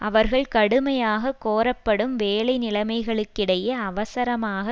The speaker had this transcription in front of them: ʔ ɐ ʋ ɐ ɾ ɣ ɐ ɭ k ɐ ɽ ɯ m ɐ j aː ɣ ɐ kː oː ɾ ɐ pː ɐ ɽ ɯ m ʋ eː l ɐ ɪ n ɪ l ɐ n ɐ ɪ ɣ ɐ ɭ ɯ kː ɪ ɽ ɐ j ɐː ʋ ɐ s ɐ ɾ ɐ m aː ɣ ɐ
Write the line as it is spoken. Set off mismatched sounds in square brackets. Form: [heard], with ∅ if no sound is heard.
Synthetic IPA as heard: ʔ ɐ ʋ ɐ ɾ ɣ ɐ ɭ k ɐ ɽ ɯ m ɐ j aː ɣ ɐ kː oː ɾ ɐ pː ɐ ɽ ɯ m ʋ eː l ɐ ɪ n ɪ l ɐ [m] ɐ ɪ ɣ ɐ ɭ ɯ kː ɪ ɽ ɐ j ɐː ʋ ɐ s ɐ ɾ ɐ m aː ɣ ɐ

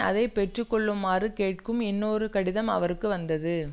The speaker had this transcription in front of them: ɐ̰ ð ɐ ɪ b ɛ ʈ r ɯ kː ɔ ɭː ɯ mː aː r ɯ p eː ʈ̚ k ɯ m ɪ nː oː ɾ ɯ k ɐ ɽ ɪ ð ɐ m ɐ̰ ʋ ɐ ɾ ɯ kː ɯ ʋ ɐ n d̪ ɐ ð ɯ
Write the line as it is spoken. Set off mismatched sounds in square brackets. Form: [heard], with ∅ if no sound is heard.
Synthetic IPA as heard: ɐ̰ ð ɐ ɪ [p] ɛ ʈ r ɯ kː ɔ ɭː ɯ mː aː r ɯ [k] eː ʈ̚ k ɯ m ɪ nː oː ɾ ɯ k ɐ ɽ ɪ ð ɐ m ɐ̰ ʋ ɐ ɾ ɯ kː ɯ ʋ ɐ n d̪ ɐ ð ɯ

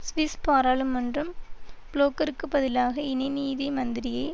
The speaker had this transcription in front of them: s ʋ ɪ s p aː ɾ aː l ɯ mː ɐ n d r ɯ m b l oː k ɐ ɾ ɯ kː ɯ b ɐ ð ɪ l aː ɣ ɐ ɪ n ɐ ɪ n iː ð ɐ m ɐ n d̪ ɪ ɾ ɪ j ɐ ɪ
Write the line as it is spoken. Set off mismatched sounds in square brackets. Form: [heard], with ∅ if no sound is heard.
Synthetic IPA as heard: s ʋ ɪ s p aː ɾ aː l ɯ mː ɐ n d r ɯ m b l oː k ɐ ɾ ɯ kː ɯ b ɐ ð ɪ l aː ɣ ɐ ɪ n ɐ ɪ n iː ð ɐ m ɐ n d̪ ɪ ɾ ɪ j ɐ ɪ

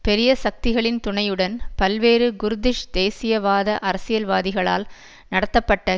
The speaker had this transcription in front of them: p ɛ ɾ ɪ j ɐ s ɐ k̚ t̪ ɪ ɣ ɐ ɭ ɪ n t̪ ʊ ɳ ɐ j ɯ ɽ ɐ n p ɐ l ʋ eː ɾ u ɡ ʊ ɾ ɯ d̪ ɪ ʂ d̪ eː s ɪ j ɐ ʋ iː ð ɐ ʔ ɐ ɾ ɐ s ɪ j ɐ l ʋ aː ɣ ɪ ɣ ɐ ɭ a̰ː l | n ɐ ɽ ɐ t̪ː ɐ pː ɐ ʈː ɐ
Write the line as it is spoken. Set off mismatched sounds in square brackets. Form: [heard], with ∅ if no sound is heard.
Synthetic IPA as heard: p ɛ ɾ ɪ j ɐ s ɐ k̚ t̪ ɪ ɣ ɐ ɭ ɪ n t̪ ʊ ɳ ɐ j ɯ ɽ ɐ n p ɐ l ʋ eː ɾ [ɯ] ɡ ʊ ɾ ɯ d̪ ɪ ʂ d̪ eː s ɪ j ɐ ʋ [aː] ð ɐ ʔ ɐ ɾ ɐ s ɪ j ɐ l ʋ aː [ð] ɪ ɣ ɐ ɭ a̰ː l | n ɐ ɽ ɐ t̪ː ɐ pː ɐ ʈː ɐ

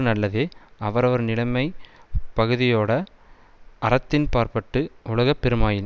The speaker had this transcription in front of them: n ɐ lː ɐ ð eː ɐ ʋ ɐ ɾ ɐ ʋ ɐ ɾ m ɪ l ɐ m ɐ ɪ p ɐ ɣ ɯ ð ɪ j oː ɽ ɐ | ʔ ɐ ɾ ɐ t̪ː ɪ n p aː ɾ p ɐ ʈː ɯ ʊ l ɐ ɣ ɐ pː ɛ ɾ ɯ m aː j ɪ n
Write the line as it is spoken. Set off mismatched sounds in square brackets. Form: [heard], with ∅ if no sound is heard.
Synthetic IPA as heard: n ɐ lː ɐ ð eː ɐ ʋ ɐ ɾ ɐ ʋ ɐ ɾ [n] ɪ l ɐ m ɐ ɪ p ɐ ɣ ɯ ð ɪ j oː ɽ ɐ | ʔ ɐ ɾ ɐ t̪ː ɪ n p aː ɾ p ɐ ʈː ɯ ʊ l ɐ ɣ ɐ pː ɛ ɾ ɯ m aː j ɪ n

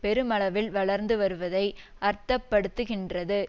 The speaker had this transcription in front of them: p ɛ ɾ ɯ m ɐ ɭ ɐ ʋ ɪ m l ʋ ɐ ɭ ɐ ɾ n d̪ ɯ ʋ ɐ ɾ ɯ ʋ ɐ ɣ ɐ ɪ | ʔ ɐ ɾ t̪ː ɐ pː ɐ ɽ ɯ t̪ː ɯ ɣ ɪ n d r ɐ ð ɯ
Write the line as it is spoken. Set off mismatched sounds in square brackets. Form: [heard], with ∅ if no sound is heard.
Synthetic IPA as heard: p ɛ ɾ ɯ m ɐ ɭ ɐ ʋ ɪ [∅] l ʋ ɐ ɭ ɐ ɾ n d̪ ɯ ʋ ɐ ɾ ɯ ʋ ɐ [ð] ɐ ɪ | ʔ ɐ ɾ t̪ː ɐ pː ɐ ɽ ɯ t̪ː ɯ ɣ ɪ n d r ɐ ð ɯ

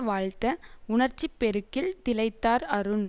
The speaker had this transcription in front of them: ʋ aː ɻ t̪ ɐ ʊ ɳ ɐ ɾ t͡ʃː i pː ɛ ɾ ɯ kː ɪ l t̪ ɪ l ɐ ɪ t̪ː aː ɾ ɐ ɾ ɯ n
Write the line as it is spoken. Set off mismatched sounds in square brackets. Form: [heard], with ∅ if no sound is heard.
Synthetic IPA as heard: ʋ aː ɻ t̪ ɐ ʊ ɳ ɐ ɾ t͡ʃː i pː ɛ ɾ ɯ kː ɪ l t̪ ɪ l ɐ ɪ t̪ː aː ɾ ɐ ɾ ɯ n

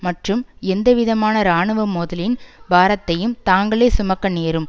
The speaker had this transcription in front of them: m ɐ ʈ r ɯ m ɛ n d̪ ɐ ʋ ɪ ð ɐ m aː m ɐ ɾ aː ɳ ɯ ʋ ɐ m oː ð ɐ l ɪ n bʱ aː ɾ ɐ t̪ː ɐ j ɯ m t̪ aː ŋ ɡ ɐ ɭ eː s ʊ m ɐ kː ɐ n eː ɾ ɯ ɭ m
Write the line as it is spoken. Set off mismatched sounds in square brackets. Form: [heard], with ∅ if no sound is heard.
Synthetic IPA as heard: m ɐ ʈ r ɯ m ɛ n d̪ ɐ ʋ ɪ ð ɐ m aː [n] ɐ ɾ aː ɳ ɯ ʋ ɐ m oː ð ɐ l ɪ n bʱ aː ɾ ɐ t̪ː ɐ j ɯ m t̪ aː ŋ ɡ ɐ ɭ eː s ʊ m ɐ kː ɐ n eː ɾ ɯ [∅] m

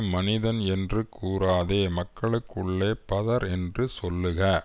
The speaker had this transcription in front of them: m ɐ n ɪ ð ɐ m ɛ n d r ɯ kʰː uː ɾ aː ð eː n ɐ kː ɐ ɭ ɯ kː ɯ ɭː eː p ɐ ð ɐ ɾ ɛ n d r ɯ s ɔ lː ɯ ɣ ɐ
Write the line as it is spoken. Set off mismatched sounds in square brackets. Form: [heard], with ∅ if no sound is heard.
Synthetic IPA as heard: m ɐ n ɪ ð ɐ [n] ɛ n d r ɯ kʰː uː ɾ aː ð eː [m] ɐ kː ɐ ɭ ɯ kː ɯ ɭː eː p ɐ ð ɐ ɾ ɛ n d r ɯ s ɔ lː ɯ ɣ ɐ

